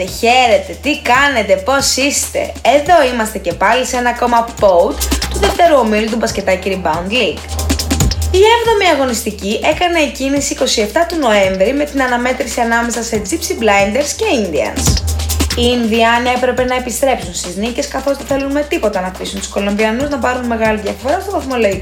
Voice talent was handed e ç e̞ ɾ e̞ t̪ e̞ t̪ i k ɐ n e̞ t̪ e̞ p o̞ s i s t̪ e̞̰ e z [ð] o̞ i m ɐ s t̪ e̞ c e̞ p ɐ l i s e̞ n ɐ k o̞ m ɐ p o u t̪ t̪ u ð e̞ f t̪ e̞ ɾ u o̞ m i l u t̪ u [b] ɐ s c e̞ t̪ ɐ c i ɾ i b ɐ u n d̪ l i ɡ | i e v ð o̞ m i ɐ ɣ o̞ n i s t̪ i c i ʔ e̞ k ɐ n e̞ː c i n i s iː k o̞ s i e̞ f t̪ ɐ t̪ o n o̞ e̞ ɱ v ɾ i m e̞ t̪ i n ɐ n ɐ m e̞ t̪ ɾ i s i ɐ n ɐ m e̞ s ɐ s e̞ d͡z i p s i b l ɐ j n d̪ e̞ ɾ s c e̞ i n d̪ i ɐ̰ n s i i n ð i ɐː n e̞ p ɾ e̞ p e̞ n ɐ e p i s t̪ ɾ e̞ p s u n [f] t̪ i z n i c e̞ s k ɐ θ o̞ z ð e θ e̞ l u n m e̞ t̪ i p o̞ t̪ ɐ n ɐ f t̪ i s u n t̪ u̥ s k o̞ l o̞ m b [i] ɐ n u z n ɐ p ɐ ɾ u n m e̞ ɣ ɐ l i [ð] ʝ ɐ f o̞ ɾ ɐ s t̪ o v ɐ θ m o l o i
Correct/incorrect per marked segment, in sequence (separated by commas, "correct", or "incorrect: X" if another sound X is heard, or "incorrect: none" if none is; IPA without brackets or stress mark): correct, correct, incorrect: s, correct, correct